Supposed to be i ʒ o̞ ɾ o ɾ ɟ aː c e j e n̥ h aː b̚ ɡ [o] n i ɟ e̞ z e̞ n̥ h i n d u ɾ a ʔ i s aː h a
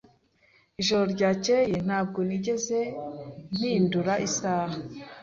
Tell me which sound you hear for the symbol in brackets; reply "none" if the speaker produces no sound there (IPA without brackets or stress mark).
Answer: o